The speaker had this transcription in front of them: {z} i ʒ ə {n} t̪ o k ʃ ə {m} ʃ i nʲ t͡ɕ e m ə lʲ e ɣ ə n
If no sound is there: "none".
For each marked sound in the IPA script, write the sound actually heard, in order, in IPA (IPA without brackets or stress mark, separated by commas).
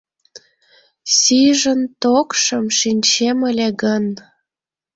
s, n, m